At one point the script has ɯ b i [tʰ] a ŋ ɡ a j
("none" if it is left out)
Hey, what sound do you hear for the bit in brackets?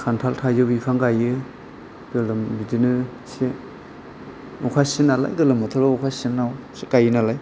kʰ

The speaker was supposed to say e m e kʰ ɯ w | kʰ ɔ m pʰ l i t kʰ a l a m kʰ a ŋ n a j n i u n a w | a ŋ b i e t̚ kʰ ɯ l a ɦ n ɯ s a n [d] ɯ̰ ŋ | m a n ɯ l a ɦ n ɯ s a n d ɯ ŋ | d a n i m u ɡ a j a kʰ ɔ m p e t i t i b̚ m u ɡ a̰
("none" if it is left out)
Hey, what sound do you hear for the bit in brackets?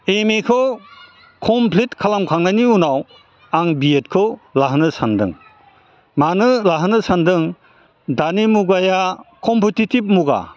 d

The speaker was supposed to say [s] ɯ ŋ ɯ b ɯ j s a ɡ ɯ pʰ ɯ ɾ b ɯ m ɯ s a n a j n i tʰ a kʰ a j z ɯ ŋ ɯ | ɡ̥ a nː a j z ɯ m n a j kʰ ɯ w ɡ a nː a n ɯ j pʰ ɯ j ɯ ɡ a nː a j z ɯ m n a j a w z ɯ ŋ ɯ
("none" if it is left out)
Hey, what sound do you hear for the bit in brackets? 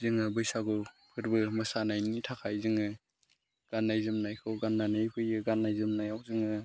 z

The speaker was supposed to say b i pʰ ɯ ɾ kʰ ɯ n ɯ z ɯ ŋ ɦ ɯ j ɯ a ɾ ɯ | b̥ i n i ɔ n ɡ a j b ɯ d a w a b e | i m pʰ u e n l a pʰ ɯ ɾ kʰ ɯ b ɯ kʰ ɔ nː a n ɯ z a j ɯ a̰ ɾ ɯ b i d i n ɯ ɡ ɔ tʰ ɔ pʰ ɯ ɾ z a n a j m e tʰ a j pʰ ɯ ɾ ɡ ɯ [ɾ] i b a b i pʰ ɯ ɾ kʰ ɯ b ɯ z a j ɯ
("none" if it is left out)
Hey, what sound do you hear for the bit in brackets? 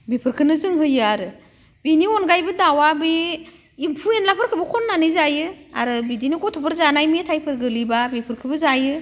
l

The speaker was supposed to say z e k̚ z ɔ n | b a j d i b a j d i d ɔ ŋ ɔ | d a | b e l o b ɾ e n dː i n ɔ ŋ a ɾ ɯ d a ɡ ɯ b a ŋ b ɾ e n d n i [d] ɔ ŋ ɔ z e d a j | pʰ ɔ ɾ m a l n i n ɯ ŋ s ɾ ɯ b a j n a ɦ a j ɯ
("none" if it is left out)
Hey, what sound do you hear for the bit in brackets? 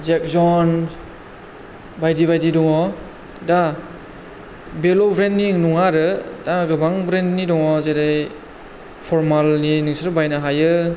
d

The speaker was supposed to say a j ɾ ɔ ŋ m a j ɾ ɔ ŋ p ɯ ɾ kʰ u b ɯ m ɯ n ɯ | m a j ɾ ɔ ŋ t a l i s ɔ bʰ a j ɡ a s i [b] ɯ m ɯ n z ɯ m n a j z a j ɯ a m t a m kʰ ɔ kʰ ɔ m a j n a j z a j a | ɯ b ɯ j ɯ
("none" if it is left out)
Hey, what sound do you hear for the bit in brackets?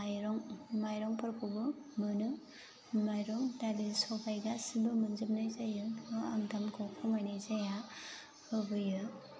b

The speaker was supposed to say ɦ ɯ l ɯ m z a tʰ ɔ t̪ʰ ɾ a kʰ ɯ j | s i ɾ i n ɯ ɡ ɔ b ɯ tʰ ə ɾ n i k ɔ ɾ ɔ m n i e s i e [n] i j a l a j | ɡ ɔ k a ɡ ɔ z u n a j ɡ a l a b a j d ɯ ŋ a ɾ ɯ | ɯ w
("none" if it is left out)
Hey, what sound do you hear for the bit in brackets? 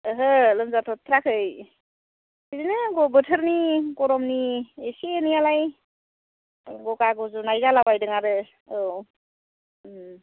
n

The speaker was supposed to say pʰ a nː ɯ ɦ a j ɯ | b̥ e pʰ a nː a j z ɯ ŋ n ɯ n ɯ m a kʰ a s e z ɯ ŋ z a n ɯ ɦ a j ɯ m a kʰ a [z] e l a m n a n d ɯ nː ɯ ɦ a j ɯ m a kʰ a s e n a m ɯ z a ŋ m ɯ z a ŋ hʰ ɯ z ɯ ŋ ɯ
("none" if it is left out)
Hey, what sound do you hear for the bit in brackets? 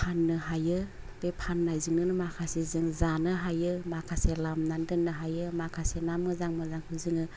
s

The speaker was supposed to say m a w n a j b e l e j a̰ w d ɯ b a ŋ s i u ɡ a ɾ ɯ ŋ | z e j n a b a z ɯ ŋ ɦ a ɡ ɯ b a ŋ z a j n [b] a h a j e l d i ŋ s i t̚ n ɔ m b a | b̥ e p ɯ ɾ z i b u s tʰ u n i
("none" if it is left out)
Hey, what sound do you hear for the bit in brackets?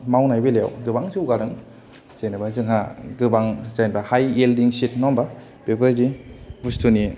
b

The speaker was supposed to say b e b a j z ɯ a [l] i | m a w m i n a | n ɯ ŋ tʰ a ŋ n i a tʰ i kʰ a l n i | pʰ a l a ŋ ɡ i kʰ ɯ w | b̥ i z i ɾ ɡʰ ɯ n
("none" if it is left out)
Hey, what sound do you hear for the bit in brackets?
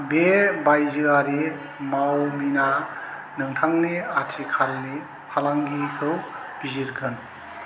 ɾ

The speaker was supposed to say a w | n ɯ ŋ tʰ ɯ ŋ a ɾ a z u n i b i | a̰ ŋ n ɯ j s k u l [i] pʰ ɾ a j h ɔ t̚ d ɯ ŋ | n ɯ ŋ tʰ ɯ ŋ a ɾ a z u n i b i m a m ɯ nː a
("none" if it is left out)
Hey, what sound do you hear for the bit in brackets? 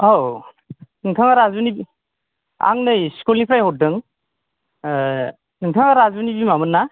i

